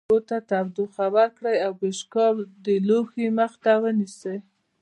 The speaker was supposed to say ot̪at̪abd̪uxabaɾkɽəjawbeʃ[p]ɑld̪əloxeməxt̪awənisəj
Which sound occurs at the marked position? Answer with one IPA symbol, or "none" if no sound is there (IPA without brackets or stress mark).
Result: k